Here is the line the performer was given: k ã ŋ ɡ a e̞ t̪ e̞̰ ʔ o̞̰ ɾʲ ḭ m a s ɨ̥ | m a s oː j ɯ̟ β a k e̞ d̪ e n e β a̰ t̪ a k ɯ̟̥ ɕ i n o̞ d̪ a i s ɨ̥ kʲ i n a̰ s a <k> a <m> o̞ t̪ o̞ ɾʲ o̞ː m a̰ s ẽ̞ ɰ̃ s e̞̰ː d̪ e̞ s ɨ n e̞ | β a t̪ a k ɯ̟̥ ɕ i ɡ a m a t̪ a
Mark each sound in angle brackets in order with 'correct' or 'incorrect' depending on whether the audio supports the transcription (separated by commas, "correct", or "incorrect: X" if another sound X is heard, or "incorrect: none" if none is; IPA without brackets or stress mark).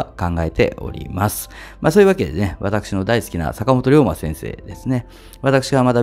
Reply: correct, correct